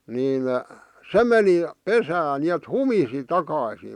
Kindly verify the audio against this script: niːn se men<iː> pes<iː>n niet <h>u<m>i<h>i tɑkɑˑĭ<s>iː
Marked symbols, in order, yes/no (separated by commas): no, no, yes, yes, no, yes